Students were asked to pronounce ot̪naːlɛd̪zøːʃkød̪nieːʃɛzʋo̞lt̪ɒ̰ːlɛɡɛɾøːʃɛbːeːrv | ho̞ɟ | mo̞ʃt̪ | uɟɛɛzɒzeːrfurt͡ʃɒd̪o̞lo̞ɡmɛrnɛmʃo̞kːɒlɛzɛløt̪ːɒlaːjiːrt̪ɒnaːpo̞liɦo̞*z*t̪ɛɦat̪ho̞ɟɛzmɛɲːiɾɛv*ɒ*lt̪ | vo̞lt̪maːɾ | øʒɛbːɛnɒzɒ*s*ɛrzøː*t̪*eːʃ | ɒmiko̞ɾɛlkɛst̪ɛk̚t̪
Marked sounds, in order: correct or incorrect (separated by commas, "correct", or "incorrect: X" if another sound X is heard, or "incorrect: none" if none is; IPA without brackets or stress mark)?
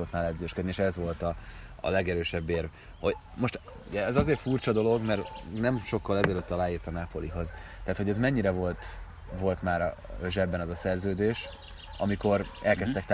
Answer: correct, incorrect: o, correct, incorrect: d̪